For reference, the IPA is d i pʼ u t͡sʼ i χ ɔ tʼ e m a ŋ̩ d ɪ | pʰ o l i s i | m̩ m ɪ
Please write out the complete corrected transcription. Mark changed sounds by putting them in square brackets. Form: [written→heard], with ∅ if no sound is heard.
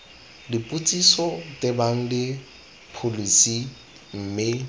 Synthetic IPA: d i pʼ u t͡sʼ i [χ→s] ɔ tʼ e [m→b] a ŋ̩ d ɪ | pʰ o l i s i | m̩ m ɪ